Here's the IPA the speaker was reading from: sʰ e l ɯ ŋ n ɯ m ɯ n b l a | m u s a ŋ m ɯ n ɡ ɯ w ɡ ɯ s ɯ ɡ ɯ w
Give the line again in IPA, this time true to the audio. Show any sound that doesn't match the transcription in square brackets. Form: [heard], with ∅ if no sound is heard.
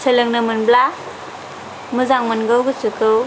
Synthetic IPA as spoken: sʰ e l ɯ ŋ n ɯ m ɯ n b l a | m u [z] a ŋ m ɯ n ɡ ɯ w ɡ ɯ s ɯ [k] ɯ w